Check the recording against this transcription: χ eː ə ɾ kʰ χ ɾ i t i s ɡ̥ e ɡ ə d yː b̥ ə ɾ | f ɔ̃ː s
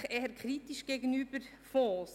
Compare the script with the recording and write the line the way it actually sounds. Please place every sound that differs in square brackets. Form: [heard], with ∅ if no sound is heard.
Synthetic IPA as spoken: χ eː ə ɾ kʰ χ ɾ i t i [ʃ] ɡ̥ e ɡ ə [n] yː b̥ ə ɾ | f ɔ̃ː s